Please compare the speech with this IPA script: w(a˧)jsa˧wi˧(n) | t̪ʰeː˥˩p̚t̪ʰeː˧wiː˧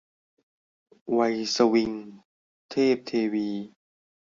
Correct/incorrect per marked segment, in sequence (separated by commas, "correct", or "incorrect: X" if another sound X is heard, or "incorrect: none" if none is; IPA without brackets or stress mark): correct, incorrect: ŋ